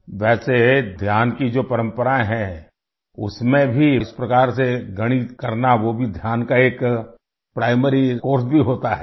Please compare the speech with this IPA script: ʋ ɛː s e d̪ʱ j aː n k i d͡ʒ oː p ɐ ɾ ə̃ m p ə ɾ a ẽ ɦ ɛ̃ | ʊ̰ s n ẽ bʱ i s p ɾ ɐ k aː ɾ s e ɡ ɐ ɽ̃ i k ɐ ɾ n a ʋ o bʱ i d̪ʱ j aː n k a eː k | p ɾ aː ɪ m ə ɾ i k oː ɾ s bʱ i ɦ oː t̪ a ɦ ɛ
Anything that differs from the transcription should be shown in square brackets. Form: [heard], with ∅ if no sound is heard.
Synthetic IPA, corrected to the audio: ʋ ɛː s e d̪ʱ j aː n k i d͡ʒ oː p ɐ ɾ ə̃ m p ə ɾ a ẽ ɦ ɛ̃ | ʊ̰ s [m] ẽ bʱ i s p ɾ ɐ k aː ɾ s e ɡ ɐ ɽ̃ i k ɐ ɾ n a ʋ o bʱ i d̪ʱ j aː n k a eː k | p ɾ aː ɪ m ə ɾ i k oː ɾ s bʱ i ɦ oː t̪ a ɦ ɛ